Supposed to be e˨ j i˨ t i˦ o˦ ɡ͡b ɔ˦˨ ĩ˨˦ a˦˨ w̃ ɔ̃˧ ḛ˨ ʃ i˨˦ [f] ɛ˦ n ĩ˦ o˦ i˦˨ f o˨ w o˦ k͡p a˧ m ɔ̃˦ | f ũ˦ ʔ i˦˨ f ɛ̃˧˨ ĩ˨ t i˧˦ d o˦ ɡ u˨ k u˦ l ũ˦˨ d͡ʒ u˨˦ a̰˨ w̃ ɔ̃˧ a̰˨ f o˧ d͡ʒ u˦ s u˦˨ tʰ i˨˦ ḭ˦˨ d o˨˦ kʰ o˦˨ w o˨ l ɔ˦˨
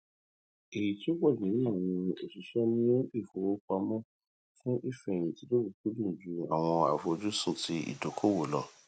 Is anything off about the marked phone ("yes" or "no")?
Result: yes